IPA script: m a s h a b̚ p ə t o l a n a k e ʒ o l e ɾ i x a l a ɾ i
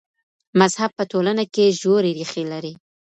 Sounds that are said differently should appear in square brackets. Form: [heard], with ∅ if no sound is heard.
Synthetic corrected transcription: m a [z] h a b̚ p ə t o l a n a k e ʒ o [ɾ] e ɾ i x [e] l a ɾ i